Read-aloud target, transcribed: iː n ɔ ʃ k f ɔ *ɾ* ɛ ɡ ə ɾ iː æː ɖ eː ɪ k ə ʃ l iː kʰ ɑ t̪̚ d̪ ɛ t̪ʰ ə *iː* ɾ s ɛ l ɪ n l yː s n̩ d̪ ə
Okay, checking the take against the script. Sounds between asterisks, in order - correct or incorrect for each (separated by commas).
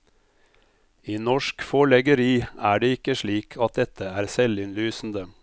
incorrect, incorrect